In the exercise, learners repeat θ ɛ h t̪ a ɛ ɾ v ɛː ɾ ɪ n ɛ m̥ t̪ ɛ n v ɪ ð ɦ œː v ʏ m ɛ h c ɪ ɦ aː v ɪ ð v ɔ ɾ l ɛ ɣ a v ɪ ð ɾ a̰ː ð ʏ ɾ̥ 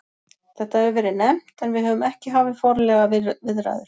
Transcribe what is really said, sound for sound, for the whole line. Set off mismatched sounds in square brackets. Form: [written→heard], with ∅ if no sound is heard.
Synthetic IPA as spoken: θ ɛ h t̪ a ɛ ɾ v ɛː ɾ ɪ n ɛ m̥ t̪ ɛ n v ɪ ð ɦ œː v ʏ m ɛ h c ɪ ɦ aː v ɪ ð [v→f] ɔ ɾ l ɛ ɣ a v ɪ ð ɾ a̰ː ð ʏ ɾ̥